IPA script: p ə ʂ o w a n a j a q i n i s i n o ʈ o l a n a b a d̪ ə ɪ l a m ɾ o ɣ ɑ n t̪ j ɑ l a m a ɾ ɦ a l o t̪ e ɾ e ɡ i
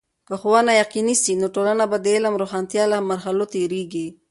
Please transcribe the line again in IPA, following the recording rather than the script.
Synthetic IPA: k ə x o w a n a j a q i n i s i n o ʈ o l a n a b a d̪ ə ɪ l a m ɾ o x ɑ n t̪ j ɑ l a m a ɾ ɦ a l o t̪ e ɾ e ɡ i